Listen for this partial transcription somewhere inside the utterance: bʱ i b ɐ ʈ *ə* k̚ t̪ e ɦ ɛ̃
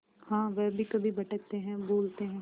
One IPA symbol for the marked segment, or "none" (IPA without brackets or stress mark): ə